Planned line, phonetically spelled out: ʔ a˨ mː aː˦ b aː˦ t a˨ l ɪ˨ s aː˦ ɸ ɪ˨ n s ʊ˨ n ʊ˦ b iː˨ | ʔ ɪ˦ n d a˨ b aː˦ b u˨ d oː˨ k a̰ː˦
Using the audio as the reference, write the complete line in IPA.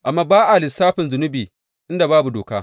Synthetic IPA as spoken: ʔ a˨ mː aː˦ b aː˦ ʔ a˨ l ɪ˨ s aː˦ ɸ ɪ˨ n z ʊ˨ n ʊ˦ b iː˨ | ʔ ɪ˦ n d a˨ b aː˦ b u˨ d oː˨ k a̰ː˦